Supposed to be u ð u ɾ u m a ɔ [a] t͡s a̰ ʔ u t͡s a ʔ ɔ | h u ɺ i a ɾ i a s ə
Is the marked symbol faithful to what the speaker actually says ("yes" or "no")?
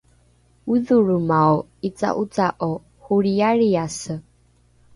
no